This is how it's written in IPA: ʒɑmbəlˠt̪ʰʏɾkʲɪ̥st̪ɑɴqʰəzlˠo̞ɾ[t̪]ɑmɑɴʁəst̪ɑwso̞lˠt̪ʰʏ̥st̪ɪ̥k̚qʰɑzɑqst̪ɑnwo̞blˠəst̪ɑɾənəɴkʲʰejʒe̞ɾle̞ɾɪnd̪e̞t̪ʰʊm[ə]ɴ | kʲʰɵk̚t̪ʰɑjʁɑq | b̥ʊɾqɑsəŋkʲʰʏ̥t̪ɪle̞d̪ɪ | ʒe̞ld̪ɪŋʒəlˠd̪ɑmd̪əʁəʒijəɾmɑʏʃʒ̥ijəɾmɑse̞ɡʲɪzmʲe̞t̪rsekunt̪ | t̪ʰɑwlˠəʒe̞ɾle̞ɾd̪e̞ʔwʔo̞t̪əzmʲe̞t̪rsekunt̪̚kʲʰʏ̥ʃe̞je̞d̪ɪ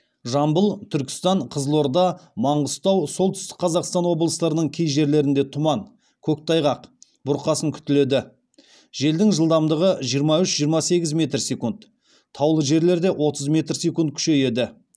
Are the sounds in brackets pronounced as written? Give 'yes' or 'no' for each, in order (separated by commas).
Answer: no, no